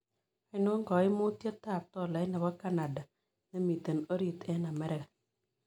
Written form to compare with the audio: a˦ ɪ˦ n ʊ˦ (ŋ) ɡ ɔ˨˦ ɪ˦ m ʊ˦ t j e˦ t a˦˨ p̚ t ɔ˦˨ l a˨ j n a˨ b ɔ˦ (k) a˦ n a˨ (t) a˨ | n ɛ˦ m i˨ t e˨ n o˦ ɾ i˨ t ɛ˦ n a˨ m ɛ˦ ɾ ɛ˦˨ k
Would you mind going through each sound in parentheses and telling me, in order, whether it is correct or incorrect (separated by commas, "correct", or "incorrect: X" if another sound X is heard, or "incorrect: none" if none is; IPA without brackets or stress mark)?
correct, correct, incorrect: d